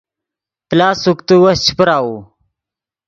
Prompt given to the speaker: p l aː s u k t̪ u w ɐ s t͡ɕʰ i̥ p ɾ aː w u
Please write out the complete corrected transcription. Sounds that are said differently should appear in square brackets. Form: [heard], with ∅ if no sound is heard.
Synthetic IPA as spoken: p l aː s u k t̪ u w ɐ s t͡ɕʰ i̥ p ɾ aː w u